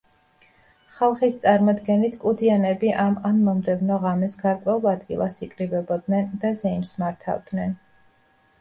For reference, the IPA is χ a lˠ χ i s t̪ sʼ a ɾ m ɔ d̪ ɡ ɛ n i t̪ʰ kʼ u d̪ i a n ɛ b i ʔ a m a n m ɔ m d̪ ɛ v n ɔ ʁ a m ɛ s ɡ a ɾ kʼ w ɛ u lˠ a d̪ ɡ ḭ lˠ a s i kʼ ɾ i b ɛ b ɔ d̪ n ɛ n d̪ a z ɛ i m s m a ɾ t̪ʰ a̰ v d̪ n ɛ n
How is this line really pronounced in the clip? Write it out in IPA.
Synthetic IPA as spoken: χ a lˠ χ i s t̪ sʼ a ɾ m ɔ d̪ ɡ ɛ n i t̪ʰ kʼ u d̪ i a n ɛ b i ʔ a m a n m ɔ m d̪ ɛ v n ɔ ʁ a m ɛ s ɡ a ɾ kʼ w ɛ u lˠ a d̪ ɡ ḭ lˠ a s i kʼ ɾ i b ɛ b ɔ d̪ n ɛ n d̪ a z ɛ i m s m a ɾ t̪ʰ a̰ v d̪ n ɛ n